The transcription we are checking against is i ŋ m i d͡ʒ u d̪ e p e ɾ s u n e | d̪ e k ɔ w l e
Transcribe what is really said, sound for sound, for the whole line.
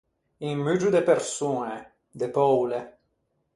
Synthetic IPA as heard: i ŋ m y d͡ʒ u d̪ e p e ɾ s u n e | d̪ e p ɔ w l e